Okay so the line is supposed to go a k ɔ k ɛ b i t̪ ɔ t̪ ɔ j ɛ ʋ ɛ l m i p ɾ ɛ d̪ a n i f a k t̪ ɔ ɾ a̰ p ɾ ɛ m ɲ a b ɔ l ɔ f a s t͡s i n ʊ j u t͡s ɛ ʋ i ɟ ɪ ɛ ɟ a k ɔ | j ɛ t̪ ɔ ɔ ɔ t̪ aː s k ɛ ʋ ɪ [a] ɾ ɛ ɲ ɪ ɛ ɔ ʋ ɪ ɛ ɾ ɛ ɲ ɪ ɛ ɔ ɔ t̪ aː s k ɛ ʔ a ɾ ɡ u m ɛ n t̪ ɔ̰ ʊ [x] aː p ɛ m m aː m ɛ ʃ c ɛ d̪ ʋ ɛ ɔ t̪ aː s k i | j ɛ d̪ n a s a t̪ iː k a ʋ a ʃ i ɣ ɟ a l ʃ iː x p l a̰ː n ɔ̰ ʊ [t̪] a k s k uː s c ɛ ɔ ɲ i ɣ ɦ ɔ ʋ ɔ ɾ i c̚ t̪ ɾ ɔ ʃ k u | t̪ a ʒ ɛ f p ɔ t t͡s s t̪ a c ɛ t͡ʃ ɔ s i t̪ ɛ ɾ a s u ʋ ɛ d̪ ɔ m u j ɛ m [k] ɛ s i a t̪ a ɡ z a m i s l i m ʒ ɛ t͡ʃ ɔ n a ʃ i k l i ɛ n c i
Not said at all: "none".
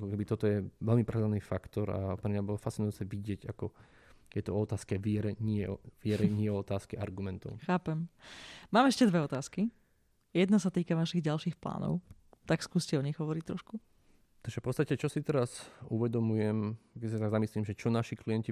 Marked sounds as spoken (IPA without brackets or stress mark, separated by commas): ɛ, x, t̪, k